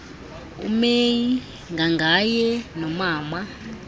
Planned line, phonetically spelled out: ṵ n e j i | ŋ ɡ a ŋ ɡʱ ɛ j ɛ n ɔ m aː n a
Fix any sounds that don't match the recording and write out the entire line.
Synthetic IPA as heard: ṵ m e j i | ŋ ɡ a ŋ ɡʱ a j ɛ n ɔ m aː m a

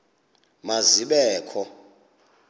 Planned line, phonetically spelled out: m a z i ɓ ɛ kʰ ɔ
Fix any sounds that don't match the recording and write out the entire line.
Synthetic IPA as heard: m a z i ɓ ɛː kʰ ɔ

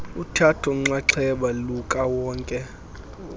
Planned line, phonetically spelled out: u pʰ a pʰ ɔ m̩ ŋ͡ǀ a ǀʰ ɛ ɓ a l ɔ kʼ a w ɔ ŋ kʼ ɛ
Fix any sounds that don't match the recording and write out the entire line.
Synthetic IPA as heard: u tʰ a tʰ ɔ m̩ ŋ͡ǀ a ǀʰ ɛ ɓ a l u kʼ a w ɔː ŋ kʼ ɛ

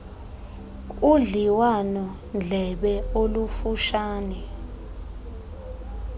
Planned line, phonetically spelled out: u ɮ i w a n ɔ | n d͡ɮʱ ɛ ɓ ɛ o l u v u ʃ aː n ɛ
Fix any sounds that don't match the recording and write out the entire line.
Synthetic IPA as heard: u ɮ i w a n ɔ | n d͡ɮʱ ɛ ɓ ɛ o l u f u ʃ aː n ɛ

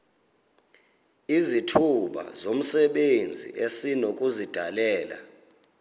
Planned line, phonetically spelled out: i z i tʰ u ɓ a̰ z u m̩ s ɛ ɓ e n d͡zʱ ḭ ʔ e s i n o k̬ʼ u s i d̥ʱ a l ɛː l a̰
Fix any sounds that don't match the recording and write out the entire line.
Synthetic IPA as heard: i z i tʰ u ɓ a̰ z o m̩ s ɛ ɓ e n d͡zʱ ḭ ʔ e s i n o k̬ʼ u z i d̥ʱ a l ɛː l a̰

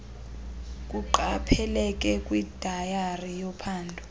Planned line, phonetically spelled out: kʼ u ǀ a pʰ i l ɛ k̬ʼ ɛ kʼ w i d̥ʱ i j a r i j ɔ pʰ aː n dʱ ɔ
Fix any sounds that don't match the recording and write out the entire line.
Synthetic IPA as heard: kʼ u ǃ a pʰ ɛ l ɛ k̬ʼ ɛ kʼ w i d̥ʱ a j a r i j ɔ pʰ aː n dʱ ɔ

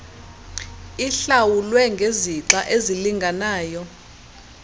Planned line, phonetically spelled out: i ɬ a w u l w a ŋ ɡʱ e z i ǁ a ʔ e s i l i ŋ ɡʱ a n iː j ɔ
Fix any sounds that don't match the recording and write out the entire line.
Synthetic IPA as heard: i ɬ a w u l w ɛ ŋ ɡʱ e z i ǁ a ʔ e z i l i ŋ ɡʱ a n aː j ɔ

